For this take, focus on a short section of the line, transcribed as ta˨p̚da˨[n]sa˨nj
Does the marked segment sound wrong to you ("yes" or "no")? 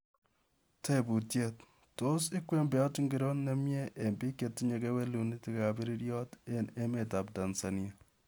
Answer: no